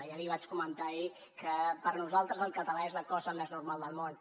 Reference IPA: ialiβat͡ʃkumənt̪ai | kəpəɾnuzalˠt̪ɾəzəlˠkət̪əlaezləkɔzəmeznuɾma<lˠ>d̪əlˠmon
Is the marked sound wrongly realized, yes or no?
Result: no